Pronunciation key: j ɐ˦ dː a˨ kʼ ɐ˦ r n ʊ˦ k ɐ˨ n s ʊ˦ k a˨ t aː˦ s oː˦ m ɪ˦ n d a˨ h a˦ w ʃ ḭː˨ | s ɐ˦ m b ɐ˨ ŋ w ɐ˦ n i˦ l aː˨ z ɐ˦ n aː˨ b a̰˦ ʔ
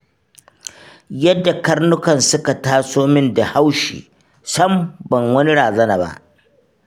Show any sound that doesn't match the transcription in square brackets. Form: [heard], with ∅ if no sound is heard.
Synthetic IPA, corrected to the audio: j ɐ˦ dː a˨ [k] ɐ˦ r n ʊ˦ k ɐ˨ n s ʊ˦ k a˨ t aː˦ s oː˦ m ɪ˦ n d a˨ h a˦ w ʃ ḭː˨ | s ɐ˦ m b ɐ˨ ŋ w ɐ˦ n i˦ [ɽ] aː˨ z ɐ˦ n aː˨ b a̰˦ ʔ